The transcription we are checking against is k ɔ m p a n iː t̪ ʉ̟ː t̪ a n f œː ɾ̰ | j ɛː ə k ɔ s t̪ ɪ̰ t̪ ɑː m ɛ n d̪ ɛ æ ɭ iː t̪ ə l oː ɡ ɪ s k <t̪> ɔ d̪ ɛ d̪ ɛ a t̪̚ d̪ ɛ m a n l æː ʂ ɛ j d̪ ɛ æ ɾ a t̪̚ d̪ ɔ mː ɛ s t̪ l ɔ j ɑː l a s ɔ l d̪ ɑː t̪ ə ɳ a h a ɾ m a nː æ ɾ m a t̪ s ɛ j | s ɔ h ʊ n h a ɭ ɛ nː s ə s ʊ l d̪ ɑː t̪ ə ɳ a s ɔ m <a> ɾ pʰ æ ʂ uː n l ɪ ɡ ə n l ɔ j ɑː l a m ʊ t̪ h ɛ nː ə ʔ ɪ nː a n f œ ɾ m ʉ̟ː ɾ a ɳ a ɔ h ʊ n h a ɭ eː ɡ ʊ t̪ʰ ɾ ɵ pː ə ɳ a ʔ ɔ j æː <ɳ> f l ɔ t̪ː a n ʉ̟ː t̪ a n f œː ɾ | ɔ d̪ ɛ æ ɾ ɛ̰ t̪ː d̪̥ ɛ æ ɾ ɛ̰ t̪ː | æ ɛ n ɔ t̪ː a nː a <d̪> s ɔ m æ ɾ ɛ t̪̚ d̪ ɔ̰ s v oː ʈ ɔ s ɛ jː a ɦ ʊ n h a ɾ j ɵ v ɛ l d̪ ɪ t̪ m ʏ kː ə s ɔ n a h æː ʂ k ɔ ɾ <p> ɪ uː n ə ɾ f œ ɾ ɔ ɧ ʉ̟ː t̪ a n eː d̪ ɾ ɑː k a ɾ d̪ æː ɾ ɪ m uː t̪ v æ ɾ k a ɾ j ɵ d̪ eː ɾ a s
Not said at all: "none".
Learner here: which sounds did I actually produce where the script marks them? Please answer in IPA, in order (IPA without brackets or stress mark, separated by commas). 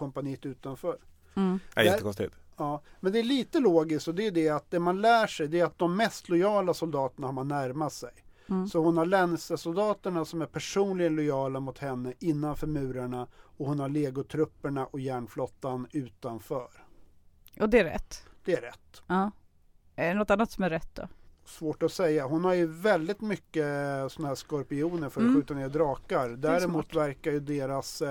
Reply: t̪, æ, ɳ, t̪, p